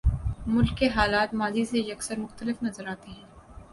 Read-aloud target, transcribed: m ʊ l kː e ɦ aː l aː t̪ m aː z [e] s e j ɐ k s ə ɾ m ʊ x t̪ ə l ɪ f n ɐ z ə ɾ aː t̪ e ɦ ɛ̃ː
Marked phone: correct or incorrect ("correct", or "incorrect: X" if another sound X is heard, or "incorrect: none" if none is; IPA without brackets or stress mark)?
incorrect: i